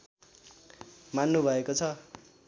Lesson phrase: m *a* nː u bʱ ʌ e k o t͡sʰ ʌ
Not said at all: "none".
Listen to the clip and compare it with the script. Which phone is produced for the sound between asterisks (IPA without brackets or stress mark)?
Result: a